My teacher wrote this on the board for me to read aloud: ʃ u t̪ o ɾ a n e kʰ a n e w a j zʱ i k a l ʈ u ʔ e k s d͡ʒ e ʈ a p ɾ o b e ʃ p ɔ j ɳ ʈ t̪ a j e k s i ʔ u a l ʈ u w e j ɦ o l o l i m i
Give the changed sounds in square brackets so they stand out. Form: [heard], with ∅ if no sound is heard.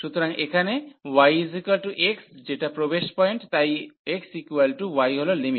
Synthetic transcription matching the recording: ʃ u t̪ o ɾ a [ŋ] e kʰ a n e w a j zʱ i k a l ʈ u ʔ e k s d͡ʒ e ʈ a p ɾ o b e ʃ p ɔ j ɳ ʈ t̪ a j e k s i [k] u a l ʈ u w [a] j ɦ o l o l i m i